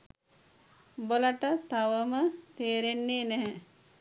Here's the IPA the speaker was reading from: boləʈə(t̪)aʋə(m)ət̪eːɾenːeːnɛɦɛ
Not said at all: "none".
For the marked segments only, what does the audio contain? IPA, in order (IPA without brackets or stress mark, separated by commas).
t̪, m